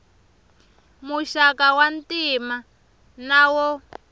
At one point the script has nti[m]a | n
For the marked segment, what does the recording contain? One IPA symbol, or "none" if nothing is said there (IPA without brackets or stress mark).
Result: m